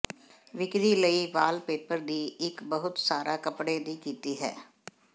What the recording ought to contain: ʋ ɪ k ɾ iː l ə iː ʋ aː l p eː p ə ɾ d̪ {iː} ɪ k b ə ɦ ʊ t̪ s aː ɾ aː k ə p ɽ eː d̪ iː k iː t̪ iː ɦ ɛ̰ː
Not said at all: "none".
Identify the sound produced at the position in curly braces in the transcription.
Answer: iː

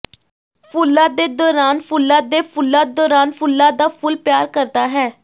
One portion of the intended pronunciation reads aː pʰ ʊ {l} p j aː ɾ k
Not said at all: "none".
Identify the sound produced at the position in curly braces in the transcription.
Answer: l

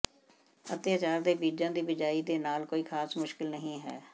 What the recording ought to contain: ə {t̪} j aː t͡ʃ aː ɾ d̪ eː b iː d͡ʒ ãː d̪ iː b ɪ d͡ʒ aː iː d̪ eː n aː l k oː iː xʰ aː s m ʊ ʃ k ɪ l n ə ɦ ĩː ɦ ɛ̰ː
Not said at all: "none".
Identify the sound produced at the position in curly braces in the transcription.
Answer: t̪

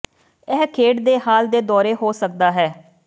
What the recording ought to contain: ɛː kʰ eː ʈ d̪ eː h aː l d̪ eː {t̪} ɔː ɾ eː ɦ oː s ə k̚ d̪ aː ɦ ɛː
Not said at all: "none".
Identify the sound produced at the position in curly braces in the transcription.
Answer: d̪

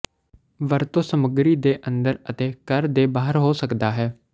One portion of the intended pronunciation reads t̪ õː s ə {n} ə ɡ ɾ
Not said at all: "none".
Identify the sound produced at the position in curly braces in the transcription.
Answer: m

